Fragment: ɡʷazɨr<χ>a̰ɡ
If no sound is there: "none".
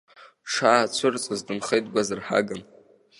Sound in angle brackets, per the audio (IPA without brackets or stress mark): ħ